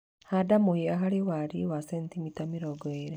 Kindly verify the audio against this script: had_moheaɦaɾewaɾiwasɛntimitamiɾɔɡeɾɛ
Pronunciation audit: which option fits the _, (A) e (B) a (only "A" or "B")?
B